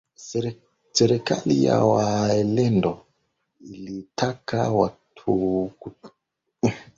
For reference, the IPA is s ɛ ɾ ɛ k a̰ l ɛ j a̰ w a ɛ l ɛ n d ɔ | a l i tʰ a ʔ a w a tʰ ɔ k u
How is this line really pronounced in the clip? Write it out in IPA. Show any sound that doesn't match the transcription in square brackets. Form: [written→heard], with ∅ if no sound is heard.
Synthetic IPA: s ɛ ɾ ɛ k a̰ l [ɛ→i] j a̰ w a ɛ l ɛ n d ɔ | [a→i] l i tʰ a [ʔ→k] a w a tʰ [ɔ→u] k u